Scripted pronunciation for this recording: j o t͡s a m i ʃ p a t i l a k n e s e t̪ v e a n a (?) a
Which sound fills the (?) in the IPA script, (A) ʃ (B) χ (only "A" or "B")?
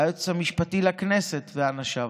A